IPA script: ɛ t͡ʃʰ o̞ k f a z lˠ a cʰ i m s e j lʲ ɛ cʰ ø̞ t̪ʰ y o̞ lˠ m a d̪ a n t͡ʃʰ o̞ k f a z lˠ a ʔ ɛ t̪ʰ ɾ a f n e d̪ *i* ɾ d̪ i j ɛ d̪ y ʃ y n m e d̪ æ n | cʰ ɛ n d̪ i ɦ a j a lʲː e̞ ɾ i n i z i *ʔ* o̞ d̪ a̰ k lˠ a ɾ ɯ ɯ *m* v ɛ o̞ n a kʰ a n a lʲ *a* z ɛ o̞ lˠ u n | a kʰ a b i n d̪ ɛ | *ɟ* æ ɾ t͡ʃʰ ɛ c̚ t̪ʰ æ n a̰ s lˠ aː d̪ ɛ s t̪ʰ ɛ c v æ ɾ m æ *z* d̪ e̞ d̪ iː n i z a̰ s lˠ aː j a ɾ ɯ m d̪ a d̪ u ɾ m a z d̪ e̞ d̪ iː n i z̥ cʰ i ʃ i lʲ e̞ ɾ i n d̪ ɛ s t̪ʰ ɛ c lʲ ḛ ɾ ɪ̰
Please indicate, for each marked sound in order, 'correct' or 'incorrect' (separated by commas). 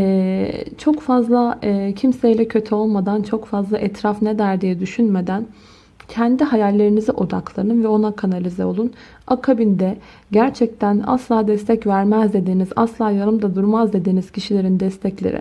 incorrect, correct, incorrect, incorrect, correct, correct